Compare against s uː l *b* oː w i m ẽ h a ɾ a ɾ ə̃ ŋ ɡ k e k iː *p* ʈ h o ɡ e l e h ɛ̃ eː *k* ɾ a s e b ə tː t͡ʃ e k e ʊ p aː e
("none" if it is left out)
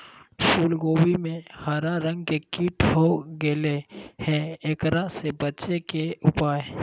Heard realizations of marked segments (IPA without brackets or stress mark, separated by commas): ɡ, none, k